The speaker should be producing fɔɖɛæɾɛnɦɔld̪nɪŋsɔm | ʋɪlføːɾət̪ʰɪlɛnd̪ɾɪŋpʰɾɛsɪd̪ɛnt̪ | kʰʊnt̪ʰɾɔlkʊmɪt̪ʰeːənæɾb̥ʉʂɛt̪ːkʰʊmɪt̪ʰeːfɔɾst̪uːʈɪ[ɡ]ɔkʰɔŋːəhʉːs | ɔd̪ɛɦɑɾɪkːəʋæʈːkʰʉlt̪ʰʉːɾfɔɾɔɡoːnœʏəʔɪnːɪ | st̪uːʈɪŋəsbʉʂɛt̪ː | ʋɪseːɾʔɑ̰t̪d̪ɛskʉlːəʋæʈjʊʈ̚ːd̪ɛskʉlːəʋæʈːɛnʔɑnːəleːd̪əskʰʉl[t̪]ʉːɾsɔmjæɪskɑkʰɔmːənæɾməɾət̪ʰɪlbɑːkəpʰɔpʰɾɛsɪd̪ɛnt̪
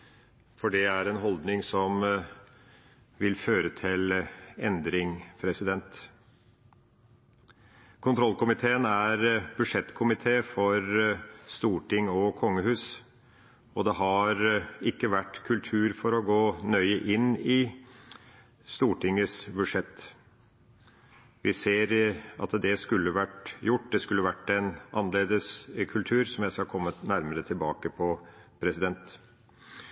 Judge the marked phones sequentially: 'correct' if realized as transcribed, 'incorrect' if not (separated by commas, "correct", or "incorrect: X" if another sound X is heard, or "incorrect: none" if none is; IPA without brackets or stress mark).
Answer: incorrect: ŋ, incorrect: t̪ʰ